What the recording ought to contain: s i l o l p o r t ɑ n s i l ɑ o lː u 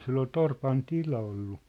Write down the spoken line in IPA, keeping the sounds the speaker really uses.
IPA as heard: s i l o l t o r p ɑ n t i l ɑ o lː u